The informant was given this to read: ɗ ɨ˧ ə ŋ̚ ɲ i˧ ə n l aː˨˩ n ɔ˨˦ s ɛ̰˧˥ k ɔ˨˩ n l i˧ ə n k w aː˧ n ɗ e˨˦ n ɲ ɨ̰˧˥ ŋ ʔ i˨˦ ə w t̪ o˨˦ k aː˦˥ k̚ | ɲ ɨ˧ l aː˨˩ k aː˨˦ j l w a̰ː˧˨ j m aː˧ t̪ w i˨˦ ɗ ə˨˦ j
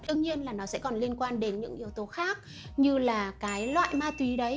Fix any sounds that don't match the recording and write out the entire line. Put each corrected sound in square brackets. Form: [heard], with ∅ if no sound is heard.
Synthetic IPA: ɗ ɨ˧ ə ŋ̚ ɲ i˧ ə n l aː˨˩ n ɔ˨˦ s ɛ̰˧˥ k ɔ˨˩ n l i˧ ə n k w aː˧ n ɗ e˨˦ n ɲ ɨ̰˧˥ ŋ ʔ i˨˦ ə w t̪ o˨˦ [x] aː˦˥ k̚ | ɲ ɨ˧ l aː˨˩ k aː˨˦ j l w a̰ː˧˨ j m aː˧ t̪ w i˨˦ ɗ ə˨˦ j